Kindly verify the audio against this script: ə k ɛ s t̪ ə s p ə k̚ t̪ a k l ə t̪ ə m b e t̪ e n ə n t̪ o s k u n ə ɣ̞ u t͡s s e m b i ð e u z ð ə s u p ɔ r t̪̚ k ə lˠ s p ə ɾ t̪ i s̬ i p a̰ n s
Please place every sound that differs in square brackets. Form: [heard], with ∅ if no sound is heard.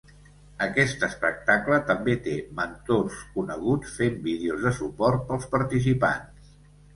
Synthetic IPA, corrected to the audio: ə k ɛ s t̪ ə s p ə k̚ t̪ a k l ə t̪ ə m b e t̪ e [m] ə n t̪ o s k u n ə ɣ̞ u t͡s [f] e m b i ð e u z ð ə s u p ɔ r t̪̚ [p] ə lˠ s p ə ɾ t̪ i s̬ i p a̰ n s